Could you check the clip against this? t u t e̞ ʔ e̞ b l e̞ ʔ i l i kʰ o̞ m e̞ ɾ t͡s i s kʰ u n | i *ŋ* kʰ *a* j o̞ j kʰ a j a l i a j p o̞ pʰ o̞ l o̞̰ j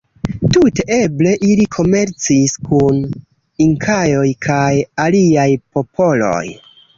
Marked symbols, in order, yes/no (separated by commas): yes, yes